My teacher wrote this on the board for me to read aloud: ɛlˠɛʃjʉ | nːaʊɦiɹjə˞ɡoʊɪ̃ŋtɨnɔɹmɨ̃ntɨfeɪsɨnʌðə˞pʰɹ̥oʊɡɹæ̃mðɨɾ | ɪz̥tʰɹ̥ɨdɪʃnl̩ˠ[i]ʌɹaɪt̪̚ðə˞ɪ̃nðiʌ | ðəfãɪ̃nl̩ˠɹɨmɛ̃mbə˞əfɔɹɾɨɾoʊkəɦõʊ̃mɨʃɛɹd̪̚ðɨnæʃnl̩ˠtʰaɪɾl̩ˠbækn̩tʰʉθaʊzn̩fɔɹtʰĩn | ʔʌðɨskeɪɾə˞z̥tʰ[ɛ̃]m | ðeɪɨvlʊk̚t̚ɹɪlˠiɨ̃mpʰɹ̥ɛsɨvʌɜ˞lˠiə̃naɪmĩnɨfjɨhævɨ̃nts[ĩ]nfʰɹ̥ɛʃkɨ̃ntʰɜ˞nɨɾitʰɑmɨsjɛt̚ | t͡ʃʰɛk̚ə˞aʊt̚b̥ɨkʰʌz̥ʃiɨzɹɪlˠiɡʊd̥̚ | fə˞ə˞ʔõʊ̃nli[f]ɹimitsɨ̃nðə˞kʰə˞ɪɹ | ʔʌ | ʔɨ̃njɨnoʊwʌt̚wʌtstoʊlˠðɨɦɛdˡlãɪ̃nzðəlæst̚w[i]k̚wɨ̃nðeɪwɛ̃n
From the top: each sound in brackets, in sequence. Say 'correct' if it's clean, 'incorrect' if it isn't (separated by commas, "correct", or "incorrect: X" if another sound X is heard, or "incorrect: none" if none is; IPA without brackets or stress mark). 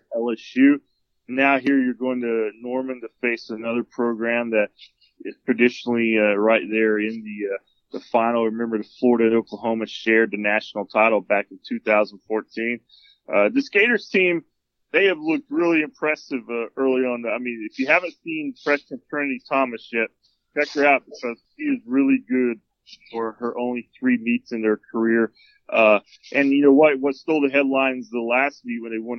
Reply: correct, incorrect: ĩ, correct, incorrect: θ, correct